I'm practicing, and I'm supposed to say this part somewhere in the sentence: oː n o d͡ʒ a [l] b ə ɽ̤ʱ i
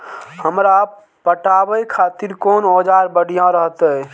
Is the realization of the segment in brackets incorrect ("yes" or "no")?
yes